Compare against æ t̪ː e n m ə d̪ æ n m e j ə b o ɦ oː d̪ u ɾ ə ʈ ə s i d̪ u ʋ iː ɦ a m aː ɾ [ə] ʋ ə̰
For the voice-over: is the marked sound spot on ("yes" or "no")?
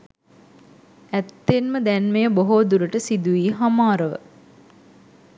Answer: yes